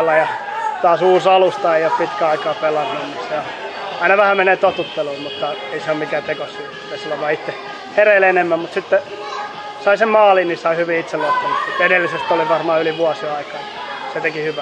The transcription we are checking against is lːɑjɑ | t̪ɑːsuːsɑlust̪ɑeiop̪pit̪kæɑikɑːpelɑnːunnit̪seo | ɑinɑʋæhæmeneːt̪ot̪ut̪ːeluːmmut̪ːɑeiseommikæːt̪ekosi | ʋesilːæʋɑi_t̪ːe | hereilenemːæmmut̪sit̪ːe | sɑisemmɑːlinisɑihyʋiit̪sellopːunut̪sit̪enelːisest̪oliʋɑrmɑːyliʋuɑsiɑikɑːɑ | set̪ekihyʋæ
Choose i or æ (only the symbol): i